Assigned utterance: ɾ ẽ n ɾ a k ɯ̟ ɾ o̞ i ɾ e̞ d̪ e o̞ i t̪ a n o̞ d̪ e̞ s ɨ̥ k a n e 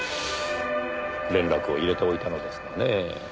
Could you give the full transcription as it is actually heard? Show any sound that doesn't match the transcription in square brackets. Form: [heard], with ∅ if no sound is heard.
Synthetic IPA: ɾ ẽ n ɾ a k ɯ̟ [∅] o̞ i ɾ e̞ [t̪] e o̞ i t̪ a n o̞ d̪ e̞ s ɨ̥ k a n e